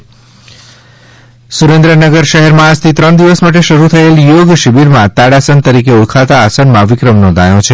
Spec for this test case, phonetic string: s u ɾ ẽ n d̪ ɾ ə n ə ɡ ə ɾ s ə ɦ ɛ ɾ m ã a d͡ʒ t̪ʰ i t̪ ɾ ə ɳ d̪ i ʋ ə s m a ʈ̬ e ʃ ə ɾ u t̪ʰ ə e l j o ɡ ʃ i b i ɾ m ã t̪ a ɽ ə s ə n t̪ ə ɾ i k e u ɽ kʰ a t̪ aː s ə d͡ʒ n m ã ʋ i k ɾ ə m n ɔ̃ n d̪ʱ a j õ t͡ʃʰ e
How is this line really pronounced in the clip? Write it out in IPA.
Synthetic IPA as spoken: s u ɾ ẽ n d̪ ɾ ə n ə ɡ ə ɾ ʃ ə ɦ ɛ ɾ m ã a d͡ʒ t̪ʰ i t̪ ɾ ə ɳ d̪ i ʋ ə s m a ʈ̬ e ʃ ə ɾ u t̪ʰ ə e l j o ɡ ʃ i b i ɾ m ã t̪ a ɽ a s ə n t̪ ə ɾ i k e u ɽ kʰ a t̪ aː s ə n m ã ʋ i k ɾ ə m n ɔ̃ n d̪ʱ a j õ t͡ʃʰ e